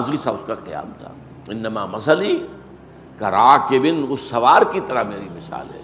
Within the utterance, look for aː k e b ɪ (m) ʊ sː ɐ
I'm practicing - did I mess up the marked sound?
yes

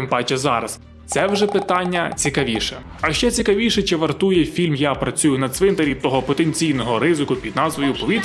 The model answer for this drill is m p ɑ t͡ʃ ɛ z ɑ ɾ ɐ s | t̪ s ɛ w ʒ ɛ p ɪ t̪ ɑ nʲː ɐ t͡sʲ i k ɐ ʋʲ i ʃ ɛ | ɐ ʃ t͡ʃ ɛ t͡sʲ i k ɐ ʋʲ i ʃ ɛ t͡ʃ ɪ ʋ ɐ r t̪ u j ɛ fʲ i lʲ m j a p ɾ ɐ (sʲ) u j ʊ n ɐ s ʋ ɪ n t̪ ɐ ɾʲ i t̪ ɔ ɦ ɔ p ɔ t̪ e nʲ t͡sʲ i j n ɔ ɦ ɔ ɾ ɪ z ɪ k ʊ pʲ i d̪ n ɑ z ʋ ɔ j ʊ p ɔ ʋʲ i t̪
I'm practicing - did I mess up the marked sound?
yes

